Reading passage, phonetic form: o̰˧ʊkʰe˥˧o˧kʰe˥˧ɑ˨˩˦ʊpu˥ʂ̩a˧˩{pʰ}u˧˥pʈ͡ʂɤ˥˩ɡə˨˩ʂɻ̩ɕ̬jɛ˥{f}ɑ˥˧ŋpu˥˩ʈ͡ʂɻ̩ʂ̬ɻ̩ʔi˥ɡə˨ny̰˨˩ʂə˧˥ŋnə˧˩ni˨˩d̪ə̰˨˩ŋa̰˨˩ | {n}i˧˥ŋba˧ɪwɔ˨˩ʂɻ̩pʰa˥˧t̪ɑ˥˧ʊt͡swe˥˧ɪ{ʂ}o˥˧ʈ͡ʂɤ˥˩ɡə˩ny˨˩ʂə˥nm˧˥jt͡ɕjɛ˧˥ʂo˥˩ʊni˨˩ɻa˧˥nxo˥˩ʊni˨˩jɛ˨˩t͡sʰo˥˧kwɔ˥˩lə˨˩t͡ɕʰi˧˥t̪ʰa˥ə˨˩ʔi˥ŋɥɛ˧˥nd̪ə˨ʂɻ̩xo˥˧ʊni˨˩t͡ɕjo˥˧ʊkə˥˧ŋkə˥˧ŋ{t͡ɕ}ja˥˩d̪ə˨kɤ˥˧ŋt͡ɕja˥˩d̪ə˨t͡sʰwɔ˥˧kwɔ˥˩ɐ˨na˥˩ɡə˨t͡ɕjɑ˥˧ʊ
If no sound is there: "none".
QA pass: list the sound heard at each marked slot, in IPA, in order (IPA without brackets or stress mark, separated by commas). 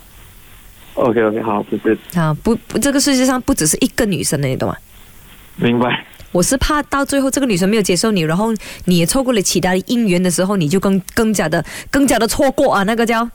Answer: p, ʂ, m, x, t͡ɕ